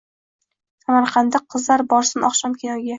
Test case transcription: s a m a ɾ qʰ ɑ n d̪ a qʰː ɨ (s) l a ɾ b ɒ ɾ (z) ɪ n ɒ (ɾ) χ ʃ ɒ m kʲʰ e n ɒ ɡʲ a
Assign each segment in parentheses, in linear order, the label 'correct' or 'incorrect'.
incorrect: z, incorrect: s, incorrect: none

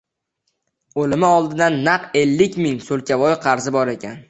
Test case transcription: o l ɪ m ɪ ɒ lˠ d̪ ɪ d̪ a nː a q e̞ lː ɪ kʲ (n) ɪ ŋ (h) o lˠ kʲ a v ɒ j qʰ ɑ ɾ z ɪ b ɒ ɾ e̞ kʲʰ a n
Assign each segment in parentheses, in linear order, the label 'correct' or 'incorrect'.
incorrect: m, incorrect: s

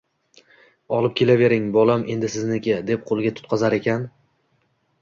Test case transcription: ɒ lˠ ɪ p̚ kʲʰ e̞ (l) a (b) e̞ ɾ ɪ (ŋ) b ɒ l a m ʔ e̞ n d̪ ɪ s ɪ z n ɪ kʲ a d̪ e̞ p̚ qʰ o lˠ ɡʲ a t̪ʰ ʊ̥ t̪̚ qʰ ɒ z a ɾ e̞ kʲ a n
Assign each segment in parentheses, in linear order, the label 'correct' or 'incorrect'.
correct, incorrect: v, correct

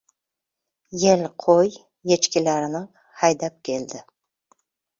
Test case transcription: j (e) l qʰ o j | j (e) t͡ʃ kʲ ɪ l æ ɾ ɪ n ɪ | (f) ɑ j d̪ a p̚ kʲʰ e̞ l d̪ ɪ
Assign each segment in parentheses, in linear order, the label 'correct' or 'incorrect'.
correct, correct, incorrect: h

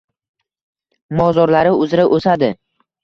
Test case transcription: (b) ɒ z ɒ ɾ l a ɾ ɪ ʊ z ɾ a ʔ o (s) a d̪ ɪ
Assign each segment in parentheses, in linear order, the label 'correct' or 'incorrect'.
incorrect: m, correct

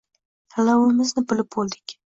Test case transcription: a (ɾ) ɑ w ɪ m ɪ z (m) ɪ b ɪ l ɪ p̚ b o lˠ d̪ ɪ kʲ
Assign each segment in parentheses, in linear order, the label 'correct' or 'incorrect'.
incorrect: l, incorrect: n

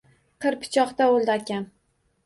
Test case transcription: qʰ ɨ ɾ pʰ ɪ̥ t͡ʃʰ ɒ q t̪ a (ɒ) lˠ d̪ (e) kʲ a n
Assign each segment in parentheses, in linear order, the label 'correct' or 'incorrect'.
incorrect: o, incorrect: a

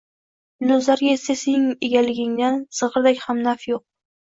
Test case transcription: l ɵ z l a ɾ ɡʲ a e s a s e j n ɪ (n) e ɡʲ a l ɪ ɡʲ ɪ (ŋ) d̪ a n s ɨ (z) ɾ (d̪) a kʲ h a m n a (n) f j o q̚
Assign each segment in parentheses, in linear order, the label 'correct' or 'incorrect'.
incorrect: ŋ, correct, incorrect: ʁ, correct, incorrect: none

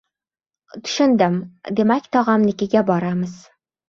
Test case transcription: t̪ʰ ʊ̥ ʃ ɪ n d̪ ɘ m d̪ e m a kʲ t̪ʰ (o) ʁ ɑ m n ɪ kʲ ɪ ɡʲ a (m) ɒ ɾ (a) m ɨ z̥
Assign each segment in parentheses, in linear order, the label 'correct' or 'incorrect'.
incorrect: ɒ, incorrect: b, correct

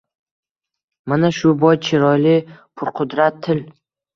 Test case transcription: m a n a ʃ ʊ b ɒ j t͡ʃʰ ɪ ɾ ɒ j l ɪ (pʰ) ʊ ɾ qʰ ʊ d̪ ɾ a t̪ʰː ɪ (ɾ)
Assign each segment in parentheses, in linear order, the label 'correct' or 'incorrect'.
correct, incorrect: l

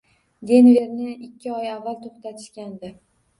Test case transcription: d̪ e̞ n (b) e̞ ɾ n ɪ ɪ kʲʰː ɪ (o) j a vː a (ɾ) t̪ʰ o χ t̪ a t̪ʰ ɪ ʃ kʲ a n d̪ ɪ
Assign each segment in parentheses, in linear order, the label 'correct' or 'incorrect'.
incorrect: v, incorrect: ɒ, incorrect: l

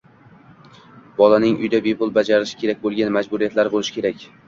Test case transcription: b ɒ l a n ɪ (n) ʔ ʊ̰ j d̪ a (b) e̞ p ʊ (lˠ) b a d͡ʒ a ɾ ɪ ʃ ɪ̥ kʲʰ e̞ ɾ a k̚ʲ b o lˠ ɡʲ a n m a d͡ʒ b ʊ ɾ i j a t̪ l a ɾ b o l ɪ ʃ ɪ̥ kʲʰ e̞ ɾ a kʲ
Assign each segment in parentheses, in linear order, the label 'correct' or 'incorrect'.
incorrect: ŋ, correct, correct

